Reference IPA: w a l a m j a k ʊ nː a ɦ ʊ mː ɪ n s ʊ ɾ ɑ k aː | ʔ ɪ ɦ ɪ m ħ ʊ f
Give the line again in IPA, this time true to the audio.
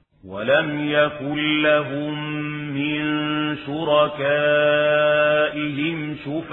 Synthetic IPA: w a l a m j a k ʊ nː a ɦ ʊ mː ɪ n ʃ ʊ ɾ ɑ k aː | ʔ ɪ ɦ ɪ m ʃ ʊ f